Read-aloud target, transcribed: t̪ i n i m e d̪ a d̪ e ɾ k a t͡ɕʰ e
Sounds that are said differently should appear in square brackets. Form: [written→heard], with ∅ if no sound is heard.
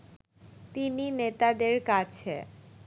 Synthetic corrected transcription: t̪ i n i [m→n] e [d̪→t̪] a d̪ e ɾ k a t͡ɕʰ e